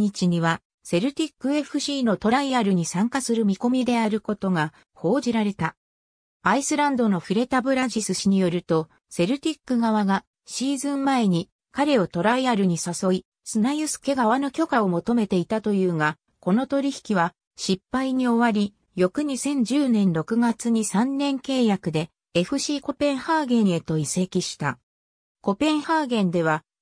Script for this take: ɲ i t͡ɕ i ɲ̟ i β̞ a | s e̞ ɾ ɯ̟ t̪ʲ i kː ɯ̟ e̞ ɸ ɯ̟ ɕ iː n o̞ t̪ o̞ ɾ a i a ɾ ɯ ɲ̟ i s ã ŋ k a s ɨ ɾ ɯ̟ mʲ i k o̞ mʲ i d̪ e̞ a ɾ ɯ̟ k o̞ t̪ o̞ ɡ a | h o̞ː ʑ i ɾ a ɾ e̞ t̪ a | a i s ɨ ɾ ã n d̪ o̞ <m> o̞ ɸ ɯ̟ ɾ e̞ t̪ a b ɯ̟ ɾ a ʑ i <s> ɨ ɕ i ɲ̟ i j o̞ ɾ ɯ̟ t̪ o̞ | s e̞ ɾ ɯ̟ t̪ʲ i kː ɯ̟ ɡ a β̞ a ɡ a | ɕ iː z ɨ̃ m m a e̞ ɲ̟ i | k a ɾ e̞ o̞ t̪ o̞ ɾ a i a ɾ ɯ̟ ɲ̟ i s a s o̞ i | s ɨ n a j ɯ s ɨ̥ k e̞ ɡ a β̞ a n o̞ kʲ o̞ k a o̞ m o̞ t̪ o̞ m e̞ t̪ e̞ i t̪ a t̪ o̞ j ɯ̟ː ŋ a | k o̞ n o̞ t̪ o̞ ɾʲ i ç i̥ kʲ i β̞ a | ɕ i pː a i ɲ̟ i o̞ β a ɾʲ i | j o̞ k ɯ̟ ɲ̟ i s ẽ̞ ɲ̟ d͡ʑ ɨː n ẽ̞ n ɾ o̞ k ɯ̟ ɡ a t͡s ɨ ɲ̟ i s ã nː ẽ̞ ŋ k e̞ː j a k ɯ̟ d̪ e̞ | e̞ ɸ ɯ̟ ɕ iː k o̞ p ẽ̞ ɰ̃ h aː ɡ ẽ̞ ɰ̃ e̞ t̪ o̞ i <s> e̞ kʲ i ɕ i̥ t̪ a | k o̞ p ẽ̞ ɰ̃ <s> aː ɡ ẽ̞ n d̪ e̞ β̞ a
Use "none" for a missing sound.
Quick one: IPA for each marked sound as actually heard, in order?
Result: n, s, s, h

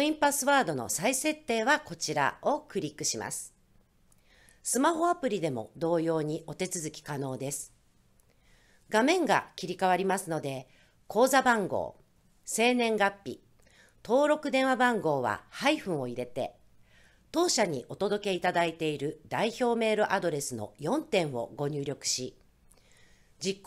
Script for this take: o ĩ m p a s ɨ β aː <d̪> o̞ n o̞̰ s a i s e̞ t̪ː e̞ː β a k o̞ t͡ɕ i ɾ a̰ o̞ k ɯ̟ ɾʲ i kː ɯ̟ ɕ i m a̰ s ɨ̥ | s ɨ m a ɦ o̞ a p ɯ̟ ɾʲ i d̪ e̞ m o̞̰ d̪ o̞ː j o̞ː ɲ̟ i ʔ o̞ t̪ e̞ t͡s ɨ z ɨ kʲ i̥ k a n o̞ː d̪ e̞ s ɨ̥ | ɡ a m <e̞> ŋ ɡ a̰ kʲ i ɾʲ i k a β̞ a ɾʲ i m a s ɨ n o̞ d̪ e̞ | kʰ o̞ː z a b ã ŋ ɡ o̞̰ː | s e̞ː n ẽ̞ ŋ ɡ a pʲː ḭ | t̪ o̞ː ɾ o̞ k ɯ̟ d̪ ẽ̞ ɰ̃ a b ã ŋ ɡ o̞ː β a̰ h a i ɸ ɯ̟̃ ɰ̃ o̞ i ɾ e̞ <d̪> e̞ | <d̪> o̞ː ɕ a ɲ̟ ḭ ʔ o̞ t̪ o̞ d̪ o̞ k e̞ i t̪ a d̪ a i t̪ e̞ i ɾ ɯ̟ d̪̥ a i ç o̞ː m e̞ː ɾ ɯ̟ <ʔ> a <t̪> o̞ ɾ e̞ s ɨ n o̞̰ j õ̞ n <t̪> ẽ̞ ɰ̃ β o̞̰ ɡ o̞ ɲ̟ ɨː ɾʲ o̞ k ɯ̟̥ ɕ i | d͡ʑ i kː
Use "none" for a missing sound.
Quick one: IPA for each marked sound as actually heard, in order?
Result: d̪, ẽ̞, t̪, t̪, ʔ, d̪, t̪

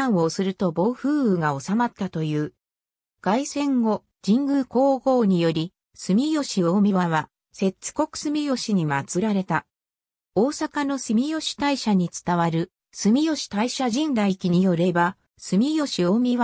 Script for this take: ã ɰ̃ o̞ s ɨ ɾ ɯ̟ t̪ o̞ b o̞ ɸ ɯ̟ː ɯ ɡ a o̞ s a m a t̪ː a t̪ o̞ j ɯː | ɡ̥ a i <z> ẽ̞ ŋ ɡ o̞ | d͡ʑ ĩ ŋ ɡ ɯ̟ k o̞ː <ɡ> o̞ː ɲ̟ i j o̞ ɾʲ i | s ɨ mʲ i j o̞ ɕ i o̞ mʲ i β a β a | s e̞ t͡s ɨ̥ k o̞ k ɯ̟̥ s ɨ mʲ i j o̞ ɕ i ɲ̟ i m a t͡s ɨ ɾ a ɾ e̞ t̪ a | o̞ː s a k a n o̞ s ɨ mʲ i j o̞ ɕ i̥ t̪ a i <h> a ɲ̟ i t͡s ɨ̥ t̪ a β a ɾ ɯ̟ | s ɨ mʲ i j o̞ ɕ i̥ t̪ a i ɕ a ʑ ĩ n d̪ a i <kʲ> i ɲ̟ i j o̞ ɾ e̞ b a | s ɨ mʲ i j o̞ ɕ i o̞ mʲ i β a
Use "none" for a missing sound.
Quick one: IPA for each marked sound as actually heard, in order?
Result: s, ɡ, ɕ, kʲ

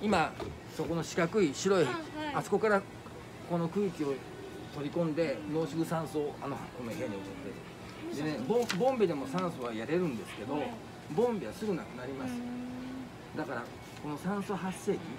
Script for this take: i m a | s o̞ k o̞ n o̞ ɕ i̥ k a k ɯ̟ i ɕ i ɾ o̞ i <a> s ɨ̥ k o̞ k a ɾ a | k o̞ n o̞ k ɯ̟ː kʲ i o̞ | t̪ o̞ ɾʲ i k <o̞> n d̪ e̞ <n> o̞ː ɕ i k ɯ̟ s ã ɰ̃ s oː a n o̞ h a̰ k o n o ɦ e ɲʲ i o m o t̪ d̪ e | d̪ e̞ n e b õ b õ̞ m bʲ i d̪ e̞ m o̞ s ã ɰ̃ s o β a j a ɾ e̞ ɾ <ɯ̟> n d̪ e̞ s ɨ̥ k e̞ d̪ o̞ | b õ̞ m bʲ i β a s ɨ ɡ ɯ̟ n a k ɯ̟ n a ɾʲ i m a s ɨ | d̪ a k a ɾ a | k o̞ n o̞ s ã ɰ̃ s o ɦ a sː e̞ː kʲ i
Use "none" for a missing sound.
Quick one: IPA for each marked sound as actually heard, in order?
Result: a, õ̞, n, ɯ̟̃

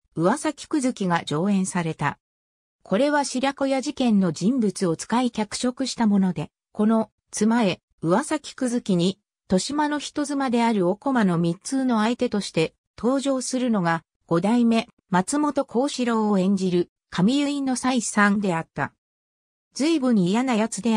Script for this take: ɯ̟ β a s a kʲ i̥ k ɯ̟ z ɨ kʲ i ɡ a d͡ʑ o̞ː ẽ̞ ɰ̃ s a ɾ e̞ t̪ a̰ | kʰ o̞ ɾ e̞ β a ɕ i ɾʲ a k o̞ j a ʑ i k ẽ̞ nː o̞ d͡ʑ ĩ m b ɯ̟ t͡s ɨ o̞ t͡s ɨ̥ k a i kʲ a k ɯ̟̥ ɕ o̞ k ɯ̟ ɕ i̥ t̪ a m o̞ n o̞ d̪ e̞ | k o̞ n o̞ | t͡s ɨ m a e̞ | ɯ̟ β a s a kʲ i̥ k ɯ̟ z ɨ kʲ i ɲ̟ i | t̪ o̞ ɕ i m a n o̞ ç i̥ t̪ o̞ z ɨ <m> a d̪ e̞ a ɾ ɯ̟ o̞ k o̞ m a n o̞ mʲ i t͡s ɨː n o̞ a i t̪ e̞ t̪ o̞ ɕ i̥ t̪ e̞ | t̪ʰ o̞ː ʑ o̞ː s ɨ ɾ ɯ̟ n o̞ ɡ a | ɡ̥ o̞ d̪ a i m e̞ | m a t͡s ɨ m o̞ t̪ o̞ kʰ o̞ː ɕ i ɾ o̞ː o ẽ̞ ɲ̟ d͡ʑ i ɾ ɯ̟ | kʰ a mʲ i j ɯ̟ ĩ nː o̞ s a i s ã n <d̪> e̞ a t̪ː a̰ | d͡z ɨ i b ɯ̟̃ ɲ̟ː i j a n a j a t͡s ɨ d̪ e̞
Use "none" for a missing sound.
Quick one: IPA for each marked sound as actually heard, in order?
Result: m, d̪

